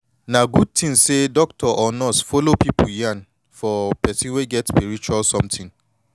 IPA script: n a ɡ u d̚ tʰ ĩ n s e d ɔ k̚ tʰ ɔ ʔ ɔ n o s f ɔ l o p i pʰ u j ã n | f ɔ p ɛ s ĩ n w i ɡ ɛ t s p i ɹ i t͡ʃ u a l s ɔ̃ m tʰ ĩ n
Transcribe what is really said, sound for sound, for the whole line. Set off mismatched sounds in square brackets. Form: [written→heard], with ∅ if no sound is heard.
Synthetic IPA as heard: n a ɡ u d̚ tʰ ĩ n s e d ɔ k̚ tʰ ɔ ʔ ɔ n [o→ɔ] s f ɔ l o p i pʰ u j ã n | f ɔ p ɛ s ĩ n w [i→e] ɡ ɛ t s p i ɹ i t͡ʃ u a l s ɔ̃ m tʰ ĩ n